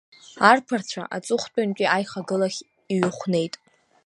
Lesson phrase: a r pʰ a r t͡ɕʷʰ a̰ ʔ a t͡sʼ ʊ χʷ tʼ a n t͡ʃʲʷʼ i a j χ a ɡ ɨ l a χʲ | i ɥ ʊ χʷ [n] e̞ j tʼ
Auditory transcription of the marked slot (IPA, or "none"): n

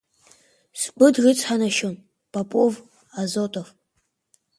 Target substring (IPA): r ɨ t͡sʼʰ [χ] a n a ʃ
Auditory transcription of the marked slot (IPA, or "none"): ħ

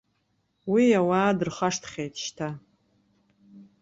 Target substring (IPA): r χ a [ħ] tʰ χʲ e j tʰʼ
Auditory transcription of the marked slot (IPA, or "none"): ʂ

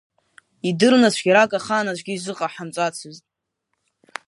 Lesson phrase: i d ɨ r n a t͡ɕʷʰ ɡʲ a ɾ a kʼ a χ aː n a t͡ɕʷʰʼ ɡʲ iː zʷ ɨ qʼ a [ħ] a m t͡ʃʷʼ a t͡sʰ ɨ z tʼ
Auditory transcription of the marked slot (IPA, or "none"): ħ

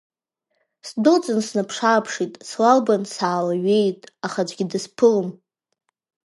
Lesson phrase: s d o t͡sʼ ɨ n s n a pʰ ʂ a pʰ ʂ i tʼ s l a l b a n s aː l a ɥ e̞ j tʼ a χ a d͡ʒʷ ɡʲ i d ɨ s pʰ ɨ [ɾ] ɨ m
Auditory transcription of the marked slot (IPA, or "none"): l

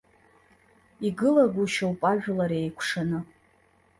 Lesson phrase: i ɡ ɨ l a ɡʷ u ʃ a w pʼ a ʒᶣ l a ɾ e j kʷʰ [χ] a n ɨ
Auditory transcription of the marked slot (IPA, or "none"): ʂ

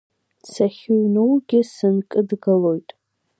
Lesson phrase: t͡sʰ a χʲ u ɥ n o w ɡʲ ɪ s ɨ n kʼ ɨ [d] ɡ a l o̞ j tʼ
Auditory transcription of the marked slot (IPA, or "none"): d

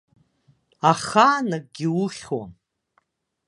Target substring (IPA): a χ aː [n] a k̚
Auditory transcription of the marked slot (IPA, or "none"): n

